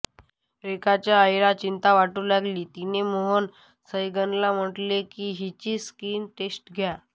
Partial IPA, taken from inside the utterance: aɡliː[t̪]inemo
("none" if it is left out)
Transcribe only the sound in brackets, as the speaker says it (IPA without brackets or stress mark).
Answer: t̪